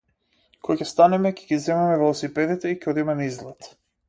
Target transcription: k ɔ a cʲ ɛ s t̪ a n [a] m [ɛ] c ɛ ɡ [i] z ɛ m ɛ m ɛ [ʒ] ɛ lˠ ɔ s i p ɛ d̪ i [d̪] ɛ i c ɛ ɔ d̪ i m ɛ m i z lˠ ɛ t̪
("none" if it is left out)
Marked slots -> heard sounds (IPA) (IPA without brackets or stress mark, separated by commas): ɛ, ɛ, i, v, t̪